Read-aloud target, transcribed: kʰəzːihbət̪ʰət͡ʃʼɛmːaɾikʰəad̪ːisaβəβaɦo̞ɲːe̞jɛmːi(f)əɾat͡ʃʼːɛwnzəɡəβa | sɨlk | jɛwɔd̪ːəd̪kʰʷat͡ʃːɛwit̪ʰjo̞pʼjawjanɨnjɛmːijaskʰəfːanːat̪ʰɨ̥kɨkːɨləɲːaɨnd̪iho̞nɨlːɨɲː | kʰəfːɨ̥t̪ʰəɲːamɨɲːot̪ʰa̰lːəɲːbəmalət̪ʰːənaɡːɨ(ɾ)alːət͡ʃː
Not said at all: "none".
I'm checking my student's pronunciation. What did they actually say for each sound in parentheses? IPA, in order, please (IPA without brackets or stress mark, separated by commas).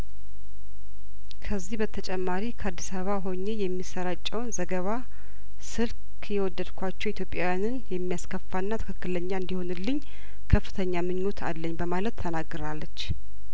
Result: s, ɾ